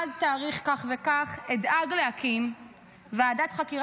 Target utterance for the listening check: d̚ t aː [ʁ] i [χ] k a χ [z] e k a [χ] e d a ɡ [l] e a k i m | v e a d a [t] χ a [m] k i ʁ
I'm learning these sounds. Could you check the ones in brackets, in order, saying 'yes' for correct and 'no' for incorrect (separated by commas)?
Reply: yes, yes, no, yes, yes, yes, no